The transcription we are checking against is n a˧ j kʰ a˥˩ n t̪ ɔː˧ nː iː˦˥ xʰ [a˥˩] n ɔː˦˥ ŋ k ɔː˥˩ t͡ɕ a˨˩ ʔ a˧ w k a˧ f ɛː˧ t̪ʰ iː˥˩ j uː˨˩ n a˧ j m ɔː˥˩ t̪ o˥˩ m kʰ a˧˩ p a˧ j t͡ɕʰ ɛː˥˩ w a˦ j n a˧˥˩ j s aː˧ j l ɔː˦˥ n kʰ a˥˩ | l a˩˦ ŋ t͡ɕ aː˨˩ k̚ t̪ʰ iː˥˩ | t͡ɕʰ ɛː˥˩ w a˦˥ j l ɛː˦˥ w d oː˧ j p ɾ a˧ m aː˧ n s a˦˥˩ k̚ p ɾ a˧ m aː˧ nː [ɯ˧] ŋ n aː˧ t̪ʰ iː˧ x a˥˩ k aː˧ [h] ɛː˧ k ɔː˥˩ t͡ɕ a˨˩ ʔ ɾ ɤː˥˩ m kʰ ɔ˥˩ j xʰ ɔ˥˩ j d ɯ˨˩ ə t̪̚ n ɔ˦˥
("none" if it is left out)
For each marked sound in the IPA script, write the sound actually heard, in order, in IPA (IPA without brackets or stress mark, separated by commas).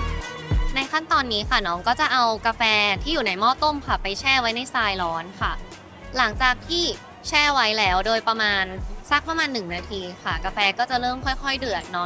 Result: a˥˩, ɯ˨˩, f